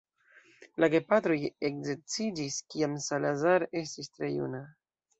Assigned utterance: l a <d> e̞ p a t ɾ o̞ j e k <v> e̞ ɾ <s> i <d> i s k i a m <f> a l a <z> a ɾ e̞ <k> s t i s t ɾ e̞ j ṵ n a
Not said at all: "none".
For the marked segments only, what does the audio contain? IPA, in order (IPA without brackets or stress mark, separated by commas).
ɡ, z, t͡s, d͡ʒ, s, z, none